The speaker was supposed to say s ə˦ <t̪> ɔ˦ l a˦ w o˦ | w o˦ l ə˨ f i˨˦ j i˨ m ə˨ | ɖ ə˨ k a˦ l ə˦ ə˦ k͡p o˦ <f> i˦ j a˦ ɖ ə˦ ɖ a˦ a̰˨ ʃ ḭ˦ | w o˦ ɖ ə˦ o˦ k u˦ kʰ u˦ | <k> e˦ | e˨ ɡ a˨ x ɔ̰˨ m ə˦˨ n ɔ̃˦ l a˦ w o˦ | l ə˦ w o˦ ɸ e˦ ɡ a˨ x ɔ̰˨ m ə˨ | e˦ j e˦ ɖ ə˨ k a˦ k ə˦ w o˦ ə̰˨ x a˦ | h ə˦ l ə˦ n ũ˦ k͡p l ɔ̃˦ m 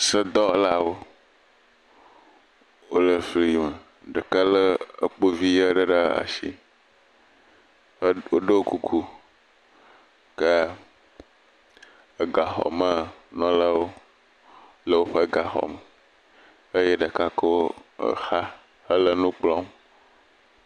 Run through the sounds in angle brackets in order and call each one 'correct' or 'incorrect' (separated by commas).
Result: incorrect, incorrect, correct